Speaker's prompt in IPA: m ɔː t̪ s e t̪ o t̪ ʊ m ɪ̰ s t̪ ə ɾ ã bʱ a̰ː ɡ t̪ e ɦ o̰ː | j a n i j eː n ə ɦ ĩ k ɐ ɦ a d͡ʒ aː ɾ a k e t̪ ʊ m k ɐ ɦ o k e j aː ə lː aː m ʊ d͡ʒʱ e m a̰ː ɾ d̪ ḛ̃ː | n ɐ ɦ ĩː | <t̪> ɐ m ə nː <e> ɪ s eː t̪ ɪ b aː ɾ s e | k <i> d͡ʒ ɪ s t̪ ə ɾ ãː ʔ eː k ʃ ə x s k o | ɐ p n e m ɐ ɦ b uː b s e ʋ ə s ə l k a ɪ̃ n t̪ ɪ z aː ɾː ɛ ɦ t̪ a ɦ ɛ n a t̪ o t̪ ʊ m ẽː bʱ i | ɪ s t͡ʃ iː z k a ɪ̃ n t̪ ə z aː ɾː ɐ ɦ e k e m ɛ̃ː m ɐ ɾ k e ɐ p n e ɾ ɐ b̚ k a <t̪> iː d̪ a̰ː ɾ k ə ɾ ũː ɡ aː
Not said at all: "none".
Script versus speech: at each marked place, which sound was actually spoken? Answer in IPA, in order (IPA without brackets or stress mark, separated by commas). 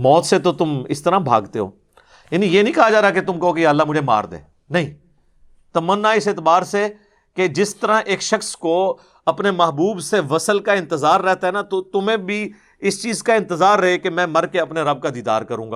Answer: t̪, a, e, d̪